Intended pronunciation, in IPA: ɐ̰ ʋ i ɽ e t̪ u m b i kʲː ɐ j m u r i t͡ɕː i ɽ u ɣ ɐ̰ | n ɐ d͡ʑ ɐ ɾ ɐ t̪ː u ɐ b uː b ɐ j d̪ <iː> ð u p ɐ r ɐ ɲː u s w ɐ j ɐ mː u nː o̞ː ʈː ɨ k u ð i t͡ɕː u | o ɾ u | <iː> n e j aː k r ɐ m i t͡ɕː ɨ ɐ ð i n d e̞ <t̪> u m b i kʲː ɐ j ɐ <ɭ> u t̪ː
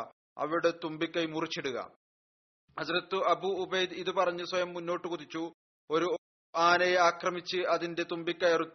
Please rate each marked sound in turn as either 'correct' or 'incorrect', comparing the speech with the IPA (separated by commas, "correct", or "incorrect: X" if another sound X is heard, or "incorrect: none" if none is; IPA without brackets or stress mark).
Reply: incorrect: i, incorrect: aː, correct, incorrect: r